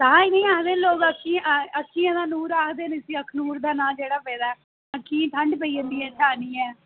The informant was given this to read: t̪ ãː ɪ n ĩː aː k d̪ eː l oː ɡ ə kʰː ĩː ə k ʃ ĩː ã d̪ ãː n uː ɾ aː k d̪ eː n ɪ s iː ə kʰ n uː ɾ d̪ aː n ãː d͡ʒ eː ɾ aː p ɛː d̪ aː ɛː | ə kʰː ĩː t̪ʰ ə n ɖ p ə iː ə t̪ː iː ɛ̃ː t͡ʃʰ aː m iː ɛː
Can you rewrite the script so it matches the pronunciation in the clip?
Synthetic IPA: t̪ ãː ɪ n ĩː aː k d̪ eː l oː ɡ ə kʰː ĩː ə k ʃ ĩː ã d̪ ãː n uː ɾ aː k d̪ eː n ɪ s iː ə kʰ n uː ɾ d̪ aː n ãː d͡ʒ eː ɽ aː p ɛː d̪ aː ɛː | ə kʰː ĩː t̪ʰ ə ɳ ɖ p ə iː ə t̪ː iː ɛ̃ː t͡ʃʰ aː n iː ɛː